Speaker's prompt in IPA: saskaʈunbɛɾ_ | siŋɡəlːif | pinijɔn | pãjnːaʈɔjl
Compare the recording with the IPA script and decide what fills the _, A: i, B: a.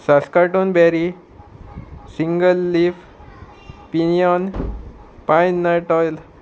A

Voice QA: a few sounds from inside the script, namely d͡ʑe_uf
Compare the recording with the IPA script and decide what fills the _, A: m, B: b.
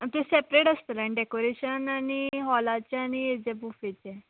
B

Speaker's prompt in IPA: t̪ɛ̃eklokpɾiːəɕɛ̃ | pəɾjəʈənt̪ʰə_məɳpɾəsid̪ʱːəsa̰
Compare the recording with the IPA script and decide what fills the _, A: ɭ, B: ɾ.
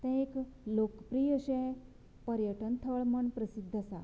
A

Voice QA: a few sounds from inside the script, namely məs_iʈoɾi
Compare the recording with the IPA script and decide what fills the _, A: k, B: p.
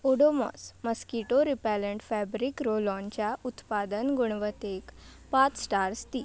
A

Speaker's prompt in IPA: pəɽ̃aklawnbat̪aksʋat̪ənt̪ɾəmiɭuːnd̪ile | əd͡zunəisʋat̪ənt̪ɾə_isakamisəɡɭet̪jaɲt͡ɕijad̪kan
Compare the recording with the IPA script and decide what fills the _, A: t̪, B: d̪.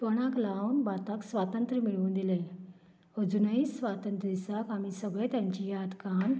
B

